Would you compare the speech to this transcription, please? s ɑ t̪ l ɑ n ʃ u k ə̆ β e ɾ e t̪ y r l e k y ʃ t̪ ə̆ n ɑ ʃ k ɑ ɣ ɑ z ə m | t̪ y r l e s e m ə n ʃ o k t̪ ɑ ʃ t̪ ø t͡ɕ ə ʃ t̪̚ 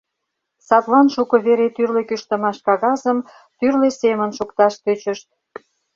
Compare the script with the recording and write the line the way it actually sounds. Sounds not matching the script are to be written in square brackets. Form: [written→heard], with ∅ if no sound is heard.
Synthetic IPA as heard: s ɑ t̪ l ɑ n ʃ u k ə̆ β e ɾ e t̪ y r l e k y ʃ t̪ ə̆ [n→m] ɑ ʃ k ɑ ɣ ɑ z ə m | t̪ y r l e s e m ə n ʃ [o→u] k t̪ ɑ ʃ t̪ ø t͡ɕ ə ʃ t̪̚